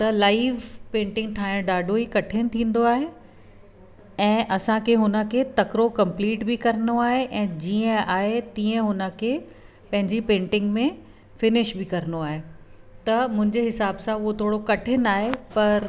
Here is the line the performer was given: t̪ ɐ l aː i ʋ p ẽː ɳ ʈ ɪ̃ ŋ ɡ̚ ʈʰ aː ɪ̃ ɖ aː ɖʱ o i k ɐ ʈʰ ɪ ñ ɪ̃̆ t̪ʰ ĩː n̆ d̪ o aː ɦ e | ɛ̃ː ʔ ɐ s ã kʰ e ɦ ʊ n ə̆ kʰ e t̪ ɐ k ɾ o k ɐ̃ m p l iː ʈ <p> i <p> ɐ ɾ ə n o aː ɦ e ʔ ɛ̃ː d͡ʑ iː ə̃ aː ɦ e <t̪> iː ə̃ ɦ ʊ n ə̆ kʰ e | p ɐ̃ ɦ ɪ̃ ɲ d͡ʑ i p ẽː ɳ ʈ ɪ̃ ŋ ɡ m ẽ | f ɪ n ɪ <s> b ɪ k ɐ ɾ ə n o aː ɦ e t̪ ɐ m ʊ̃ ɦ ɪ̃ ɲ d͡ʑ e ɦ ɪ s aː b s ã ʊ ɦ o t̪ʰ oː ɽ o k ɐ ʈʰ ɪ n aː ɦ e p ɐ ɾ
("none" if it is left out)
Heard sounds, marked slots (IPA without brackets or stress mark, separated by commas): b, k, t̪, ʃ